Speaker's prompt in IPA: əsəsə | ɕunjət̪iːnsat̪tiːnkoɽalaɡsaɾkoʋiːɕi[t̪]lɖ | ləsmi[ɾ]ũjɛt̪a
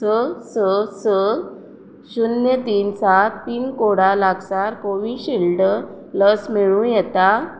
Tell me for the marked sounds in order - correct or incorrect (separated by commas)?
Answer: incorrect, incorrect